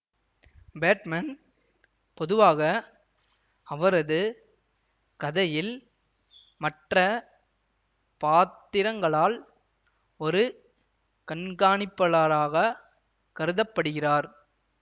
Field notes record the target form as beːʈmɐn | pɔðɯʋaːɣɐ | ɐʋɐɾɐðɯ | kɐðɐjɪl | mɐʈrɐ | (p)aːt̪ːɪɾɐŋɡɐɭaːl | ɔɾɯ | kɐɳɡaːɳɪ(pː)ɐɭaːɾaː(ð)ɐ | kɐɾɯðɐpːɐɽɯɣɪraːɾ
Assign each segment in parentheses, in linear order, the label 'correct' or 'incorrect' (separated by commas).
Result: correct, correct, incorrect